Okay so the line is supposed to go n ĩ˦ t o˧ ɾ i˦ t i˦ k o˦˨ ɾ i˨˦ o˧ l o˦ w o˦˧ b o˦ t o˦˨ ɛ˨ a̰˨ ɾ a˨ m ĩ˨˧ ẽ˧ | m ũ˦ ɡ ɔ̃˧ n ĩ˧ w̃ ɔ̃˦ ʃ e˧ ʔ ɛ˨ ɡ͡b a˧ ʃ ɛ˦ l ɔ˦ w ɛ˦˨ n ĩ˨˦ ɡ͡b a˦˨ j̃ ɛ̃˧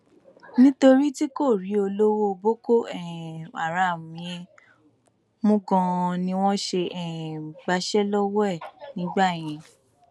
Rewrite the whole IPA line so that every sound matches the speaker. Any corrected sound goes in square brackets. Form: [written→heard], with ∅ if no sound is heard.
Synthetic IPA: n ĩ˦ t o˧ ɾ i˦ t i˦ k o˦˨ ɾ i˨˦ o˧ l o˦ w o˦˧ b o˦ [t→k] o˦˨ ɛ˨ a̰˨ ɾ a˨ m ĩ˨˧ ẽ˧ | m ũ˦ ɡ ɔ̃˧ n ĩ˧ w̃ ɔ̃˦ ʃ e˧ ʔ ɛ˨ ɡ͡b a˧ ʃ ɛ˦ l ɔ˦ w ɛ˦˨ n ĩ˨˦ ɡ͡b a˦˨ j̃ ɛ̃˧